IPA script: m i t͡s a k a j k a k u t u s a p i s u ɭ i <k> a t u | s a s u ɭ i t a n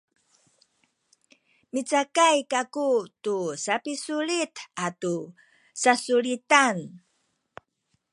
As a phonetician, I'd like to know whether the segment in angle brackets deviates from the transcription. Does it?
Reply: yes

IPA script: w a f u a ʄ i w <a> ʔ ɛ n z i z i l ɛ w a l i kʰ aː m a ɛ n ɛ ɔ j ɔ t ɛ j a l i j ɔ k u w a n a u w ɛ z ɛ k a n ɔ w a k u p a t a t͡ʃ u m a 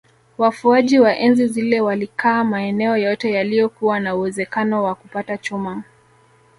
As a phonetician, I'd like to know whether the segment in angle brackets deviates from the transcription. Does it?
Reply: no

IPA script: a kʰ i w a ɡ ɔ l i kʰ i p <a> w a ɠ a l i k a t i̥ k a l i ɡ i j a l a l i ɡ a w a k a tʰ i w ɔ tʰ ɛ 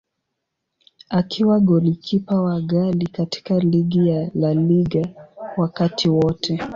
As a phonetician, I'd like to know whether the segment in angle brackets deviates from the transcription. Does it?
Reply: no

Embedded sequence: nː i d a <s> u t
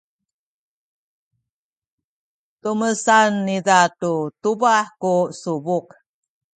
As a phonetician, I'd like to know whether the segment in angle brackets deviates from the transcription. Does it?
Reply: yes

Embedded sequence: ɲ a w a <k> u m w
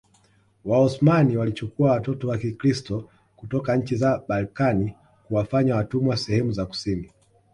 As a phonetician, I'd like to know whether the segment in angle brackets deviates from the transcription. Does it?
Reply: yes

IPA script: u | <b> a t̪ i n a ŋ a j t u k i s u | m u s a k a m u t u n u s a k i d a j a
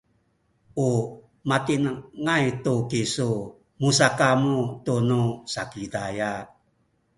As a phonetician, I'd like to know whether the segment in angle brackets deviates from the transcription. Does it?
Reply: yes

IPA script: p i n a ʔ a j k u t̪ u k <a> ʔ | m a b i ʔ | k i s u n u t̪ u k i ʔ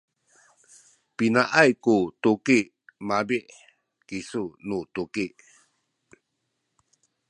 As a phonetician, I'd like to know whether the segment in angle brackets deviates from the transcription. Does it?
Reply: yes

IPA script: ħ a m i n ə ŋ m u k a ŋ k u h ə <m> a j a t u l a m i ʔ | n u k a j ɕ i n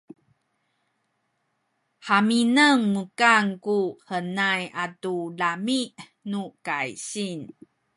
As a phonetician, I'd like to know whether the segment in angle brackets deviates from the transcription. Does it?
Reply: yes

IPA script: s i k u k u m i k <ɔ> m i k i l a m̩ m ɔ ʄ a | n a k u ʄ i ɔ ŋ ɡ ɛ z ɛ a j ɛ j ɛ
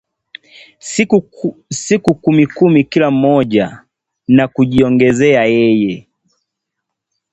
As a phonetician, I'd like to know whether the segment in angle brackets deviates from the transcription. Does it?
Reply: yes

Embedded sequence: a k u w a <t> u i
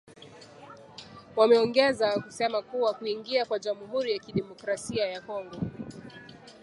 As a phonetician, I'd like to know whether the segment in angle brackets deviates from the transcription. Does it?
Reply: yes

